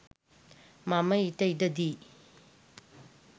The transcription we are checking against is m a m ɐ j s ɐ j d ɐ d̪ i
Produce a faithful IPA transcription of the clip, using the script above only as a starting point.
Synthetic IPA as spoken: m a m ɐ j t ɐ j d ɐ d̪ i